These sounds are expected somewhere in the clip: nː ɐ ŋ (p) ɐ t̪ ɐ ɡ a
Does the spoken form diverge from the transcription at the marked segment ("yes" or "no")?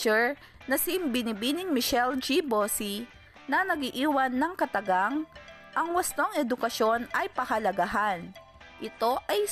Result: yes